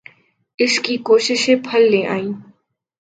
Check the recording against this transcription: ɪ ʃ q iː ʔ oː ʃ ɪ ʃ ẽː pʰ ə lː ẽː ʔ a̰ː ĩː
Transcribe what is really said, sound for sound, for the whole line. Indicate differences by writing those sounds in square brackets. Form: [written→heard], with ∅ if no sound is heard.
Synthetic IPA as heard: ɪ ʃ [q→k] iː [ʔ→k] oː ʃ ɪ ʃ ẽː pʰ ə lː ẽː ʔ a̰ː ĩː